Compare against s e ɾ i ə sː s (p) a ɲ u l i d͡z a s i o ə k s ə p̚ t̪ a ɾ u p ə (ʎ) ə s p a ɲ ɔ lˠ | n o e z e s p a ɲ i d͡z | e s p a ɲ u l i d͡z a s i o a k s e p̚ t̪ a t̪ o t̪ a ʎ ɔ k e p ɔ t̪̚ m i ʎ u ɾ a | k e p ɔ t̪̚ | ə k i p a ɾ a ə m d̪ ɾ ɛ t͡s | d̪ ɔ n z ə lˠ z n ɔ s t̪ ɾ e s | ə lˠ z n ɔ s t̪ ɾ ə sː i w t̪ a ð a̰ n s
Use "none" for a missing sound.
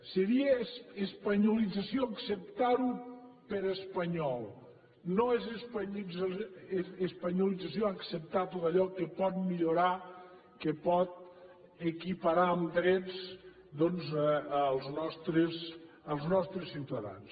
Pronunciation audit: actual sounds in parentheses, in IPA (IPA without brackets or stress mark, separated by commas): p, ɾ